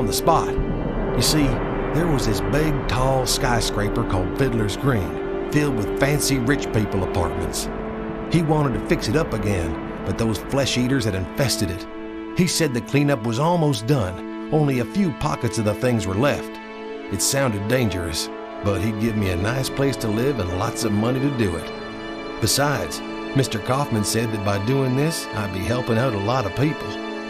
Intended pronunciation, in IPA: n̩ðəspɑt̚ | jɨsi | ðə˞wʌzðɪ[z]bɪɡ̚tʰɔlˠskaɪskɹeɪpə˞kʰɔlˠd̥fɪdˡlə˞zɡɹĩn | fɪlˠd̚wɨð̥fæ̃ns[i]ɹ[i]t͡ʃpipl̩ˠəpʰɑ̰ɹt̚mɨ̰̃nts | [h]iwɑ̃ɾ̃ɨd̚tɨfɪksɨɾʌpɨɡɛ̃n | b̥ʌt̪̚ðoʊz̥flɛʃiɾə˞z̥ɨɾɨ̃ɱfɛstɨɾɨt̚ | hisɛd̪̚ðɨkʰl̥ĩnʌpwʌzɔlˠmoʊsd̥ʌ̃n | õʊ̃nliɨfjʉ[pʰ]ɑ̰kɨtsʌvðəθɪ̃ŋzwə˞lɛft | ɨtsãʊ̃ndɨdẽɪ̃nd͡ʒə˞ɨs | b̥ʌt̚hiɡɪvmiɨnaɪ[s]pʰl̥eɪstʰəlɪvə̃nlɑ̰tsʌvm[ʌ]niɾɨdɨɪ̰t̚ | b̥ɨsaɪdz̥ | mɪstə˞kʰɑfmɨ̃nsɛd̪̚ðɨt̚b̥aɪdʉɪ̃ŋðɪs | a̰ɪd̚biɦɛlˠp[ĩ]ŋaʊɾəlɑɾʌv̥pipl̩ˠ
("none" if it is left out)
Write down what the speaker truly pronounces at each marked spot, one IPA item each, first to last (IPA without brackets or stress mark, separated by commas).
s, i, ɪ, h, pʰ, s, ʌ, ɪ̃